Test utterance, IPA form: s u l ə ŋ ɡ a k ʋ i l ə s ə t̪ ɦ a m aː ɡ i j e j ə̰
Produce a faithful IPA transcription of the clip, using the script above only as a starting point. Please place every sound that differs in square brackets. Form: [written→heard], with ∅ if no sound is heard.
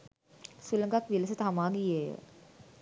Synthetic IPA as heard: s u l ə ŋ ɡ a k ʋ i l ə s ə t̪ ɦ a m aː ɡ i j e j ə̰